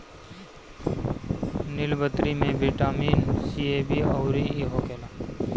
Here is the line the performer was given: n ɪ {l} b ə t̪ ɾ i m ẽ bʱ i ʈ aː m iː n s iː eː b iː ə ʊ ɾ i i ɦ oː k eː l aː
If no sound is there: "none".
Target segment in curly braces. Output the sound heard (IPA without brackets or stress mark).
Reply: l